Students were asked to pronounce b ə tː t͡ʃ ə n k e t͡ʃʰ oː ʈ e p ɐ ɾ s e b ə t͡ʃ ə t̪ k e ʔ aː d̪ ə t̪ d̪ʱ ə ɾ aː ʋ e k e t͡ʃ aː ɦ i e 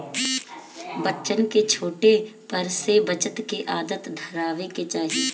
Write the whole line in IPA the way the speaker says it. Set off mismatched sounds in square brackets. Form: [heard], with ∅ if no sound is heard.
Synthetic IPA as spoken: b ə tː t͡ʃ ə n k e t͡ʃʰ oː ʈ e p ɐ ɾ s e b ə t͡ʃ ə t̪ k e ʔ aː d̪ ə t̪ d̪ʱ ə ɾ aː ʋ e k e t͡ʃ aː ɦ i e

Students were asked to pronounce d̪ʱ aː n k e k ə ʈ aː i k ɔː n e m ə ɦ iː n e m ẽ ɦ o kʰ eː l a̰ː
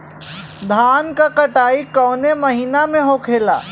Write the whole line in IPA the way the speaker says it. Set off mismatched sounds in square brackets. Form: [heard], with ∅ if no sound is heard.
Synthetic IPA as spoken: d̪ʱ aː n k [a] k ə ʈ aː i k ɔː n e m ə ɦ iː n [a] m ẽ ɦ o kʰ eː l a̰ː

